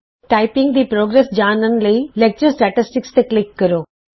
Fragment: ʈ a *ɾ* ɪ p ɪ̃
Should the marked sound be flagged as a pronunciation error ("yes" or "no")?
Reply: yes